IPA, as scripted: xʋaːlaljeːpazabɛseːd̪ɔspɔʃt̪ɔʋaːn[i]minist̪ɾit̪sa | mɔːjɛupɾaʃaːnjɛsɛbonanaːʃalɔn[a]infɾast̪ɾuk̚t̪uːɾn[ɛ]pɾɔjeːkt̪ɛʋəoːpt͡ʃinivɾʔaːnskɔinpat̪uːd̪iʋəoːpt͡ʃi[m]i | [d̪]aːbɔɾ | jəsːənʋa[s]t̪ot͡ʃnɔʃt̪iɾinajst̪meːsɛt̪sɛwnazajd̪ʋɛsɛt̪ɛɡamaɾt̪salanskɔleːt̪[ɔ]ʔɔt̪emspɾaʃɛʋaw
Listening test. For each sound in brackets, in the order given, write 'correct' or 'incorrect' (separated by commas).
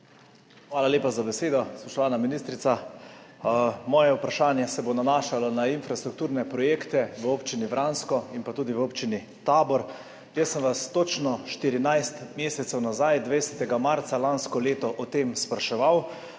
incorrect, correct, correct, incorrect, incorrect, correct, correct